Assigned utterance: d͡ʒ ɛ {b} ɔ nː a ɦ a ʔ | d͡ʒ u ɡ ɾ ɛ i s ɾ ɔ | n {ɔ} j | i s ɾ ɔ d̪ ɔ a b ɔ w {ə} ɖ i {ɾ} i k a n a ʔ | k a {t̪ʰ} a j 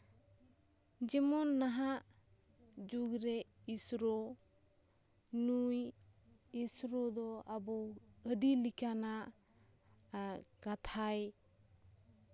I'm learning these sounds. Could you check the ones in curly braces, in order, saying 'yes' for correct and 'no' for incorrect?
no, no, yes, no, yes

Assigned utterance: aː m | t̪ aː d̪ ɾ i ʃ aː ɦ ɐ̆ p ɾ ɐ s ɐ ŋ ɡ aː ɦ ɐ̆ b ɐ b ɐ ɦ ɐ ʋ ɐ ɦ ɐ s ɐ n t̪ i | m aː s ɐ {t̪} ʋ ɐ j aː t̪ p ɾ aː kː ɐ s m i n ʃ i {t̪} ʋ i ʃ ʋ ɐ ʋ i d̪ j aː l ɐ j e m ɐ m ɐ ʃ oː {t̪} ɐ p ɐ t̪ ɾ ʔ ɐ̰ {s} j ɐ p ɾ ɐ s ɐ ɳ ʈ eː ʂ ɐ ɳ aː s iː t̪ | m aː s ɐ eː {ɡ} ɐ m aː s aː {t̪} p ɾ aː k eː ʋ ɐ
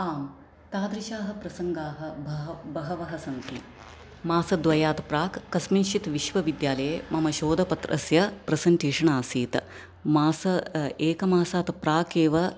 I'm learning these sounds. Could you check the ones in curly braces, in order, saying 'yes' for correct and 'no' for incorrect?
no, yes, no, yes, no, yes

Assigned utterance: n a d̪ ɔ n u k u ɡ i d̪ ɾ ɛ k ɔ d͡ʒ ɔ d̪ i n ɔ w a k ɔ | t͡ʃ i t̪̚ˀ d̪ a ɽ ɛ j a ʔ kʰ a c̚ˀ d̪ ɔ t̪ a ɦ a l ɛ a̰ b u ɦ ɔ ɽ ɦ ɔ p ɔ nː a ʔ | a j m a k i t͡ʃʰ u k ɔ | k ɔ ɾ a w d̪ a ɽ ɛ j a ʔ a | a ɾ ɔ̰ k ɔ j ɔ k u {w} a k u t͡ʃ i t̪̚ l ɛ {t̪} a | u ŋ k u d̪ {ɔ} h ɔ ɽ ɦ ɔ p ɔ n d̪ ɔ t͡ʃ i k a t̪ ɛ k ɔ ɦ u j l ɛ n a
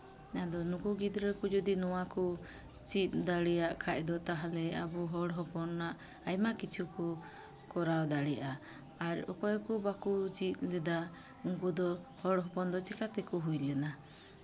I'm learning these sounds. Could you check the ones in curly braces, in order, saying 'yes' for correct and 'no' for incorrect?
no, no, yes

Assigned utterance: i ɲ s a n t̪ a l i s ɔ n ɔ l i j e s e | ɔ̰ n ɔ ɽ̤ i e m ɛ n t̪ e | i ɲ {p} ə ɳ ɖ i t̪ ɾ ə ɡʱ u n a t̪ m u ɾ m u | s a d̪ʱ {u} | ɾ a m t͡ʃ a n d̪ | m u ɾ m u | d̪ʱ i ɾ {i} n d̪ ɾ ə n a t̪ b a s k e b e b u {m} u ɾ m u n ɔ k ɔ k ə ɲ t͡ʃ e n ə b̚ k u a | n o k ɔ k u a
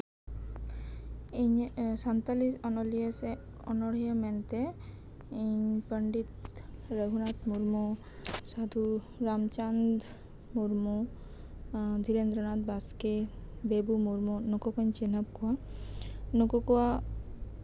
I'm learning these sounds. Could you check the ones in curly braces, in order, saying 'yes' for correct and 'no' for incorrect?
yes, yes, no, yes

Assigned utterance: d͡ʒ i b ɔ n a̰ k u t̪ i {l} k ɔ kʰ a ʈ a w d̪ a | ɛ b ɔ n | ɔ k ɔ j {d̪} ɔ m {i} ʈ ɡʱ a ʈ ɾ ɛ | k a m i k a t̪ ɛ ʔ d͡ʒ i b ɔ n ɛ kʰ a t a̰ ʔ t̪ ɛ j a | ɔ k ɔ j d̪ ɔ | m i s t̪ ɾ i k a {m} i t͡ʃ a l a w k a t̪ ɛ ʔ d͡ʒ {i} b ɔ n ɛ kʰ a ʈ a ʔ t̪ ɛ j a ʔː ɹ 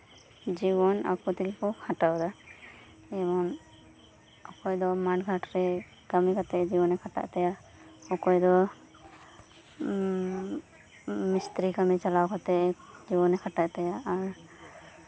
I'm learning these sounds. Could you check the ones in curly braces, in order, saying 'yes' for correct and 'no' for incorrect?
yes, yes, no, yes, yes

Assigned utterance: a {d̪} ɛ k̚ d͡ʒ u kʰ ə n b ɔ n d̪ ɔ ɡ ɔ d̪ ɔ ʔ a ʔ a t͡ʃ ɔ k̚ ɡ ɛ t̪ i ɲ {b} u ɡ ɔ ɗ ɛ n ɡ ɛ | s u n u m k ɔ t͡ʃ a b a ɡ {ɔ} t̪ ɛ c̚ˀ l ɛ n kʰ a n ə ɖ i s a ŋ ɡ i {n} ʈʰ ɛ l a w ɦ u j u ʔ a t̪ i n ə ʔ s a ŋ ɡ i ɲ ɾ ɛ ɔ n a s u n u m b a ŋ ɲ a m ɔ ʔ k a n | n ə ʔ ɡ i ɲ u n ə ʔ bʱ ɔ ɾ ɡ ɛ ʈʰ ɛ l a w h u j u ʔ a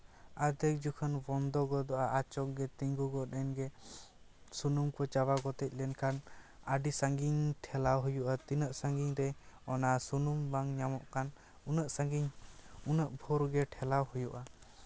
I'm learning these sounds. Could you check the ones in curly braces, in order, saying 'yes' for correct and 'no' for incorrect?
yes, no, yes, no

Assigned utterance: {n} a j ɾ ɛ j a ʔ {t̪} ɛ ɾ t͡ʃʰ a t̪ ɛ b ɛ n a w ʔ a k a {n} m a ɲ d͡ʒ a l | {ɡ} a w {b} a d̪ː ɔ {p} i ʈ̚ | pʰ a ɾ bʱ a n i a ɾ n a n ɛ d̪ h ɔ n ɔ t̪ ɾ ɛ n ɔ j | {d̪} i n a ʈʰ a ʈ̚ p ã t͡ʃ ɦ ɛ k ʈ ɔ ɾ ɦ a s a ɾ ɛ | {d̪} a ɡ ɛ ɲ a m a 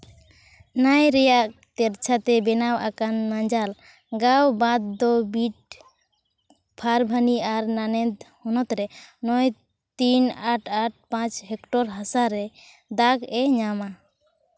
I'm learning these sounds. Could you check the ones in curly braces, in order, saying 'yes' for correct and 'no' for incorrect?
yes, yes, yes, yes, yes, no, no, yes

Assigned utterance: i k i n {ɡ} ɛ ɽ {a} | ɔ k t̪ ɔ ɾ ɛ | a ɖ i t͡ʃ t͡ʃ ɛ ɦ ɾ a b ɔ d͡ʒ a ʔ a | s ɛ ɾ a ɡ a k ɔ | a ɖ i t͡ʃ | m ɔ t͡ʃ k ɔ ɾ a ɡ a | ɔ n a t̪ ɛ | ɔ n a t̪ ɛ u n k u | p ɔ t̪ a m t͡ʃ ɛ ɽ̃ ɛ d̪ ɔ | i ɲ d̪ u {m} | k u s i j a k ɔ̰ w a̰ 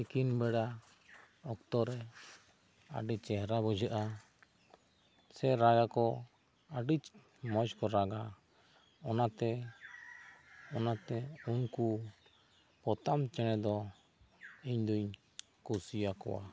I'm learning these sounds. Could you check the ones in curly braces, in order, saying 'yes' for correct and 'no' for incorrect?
no, yes, no

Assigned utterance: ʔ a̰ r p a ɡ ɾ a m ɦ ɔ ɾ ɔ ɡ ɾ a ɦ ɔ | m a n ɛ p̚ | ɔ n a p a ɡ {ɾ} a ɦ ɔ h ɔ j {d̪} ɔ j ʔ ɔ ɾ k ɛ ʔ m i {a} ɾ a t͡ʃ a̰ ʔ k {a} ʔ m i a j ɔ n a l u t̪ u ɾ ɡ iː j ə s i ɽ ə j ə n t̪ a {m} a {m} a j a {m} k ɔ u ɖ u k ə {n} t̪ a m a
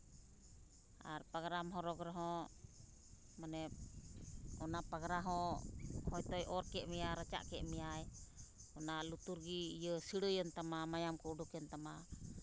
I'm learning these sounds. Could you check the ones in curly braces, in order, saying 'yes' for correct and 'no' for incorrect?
yes, no, yes, no, yes, yes, yes, yes

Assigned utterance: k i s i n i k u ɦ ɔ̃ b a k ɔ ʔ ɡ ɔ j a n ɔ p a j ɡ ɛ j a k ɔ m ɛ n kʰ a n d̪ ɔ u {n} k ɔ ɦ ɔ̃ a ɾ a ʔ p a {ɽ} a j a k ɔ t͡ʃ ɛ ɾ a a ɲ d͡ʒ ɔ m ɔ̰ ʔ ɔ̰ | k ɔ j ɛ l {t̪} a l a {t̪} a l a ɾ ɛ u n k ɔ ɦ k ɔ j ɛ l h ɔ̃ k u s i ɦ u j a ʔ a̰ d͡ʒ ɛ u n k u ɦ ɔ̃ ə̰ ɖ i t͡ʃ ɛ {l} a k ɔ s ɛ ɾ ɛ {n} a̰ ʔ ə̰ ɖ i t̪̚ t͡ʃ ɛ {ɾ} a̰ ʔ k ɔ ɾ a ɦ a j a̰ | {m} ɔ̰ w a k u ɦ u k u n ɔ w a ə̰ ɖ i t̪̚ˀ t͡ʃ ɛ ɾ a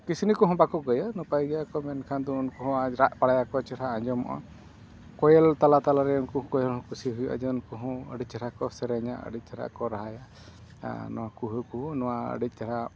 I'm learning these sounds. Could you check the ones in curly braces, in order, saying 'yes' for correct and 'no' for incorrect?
yes, yes, yes, yes, no, no, yes, no

